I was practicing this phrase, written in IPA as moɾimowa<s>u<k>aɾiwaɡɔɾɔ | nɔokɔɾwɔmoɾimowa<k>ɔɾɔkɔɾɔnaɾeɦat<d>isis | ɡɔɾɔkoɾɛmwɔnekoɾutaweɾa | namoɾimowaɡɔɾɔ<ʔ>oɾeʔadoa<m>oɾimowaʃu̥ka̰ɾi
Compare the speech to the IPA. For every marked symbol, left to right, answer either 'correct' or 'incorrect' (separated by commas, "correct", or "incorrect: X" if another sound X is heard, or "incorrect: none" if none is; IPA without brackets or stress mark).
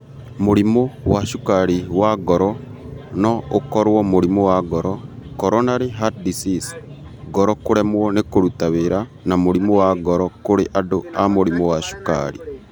incorrect: ʃ, correct, incorrect: ɡ, correct, incorrect: k, correct